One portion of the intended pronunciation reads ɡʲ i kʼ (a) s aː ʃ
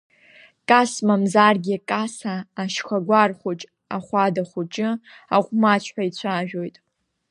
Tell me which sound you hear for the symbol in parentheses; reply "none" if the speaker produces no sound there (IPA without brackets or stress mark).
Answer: a